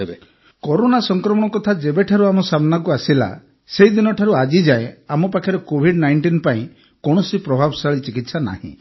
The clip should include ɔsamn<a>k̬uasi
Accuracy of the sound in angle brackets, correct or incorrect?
correct